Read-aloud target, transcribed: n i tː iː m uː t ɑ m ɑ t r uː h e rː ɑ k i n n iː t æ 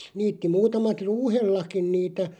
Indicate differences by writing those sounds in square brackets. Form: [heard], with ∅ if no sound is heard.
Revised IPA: n [iː] tː [i] m uː t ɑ m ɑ t r uː h e [lː] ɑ k i n n iː t æ